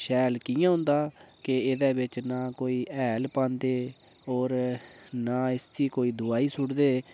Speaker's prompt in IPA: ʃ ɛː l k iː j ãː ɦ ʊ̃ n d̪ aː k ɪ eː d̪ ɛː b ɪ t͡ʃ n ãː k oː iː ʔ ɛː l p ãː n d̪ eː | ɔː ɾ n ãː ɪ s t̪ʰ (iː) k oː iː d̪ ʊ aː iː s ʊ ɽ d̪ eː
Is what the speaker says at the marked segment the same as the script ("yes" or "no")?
yes